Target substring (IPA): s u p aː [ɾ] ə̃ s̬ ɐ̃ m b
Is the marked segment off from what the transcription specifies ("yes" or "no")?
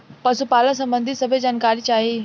yes